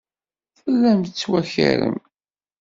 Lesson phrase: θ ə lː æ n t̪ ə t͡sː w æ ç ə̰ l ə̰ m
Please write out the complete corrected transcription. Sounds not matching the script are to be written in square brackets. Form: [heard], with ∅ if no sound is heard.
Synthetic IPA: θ ə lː æ [m] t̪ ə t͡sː w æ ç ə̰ [ɾ] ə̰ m